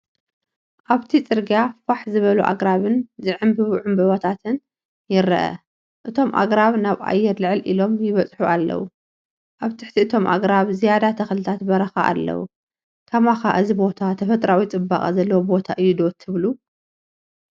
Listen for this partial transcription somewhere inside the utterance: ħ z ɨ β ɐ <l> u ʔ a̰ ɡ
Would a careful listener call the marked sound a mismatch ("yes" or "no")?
no